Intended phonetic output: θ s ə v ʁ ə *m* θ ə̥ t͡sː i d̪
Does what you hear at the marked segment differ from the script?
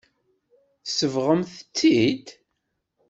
no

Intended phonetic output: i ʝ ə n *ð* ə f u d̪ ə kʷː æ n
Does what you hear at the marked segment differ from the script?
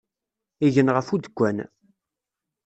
yes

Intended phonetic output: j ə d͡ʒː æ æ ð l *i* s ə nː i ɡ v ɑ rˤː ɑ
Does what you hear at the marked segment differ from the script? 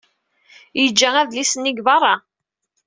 no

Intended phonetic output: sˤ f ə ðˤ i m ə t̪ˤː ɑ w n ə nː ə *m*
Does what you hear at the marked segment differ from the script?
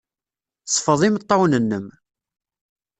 no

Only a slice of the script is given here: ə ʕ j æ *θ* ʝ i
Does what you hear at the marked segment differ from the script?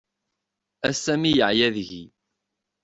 yes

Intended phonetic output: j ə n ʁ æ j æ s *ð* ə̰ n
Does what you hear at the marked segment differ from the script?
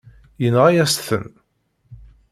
yes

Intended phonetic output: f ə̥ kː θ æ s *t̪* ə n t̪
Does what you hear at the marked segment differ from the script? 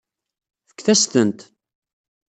no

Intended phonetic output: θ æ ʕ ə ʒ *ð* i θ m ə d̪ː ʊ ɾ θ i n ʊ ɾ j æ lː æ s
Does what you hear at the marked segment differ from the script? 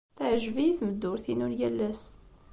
yes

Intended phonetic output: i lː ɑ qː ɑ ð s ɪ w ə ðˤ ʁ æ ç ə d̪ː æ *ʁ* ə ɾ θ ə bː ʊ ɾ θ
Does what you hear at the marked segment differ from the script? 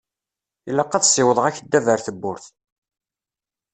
yes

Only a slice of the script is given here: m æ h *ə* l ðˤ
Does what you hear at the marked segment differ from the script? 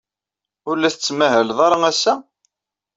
no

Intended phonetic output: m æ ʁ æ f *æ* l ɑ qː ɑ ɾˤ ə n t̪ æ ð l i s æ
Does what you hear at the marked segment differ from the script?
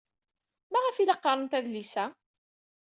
yes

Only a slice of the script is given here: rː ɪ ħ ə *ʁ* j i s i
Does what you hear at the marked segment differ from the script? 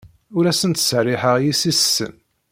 no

